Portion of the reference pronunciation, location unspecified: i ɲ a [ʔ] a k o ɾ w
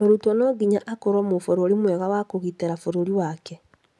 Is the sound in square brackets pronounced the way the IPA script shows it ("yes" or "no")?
yes